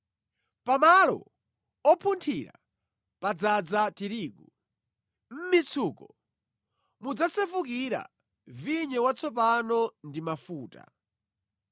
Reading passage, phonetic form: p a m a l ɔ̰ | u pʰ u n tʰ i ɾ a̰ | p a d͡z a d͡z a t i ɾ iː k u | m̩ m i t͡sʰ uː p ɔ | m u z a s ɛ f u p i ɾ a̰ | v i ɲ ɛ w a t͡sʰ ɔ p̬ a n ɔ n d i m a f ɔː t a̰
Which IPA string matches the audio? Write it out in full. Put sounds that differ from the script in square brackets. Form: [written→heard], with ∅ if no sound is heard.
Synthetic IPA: p a m a l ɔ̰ | [u→ɔ] pʰ u n tʰ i ɾ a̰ | p a d͡z a d͡z a t i ɾ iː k u | m̩ m i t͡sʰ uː [p→k] ɔ | m u [z→d͡z] a s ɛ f u [p→k] i ɾ a̰ | v i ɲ ɛ w a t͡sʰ ɔ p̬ a n ɔ n d i m a f [ɔː→uː] t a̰